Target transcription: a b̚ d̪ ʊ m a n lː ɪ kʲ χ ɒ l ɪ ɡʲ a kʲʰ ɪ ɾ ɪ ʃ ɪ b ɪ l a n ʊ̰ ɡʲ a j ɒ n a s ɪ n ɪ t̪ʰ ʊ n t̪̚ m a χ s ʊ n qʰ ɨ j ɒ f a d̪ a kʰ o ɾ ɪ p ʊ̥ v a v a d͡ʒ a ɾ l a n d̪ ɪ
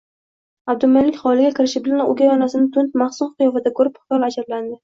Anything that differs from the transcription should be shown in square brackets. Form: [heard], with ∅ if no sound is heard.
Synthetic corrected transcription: a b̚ d̪ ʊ m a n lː ɪ kʲ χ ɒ l ɪ ɡʲ a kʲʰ ɪ ɾ ɪ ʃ ɪ b ɪ l a n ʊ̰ ɡʲ a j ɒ n a s ɪ n ɪ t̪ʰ ʊ n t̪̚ m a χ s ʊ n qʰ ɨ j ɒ f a d̪ a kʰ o ɾ ɪ p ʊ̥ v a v a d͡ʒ a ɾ l a n d̪ ɪ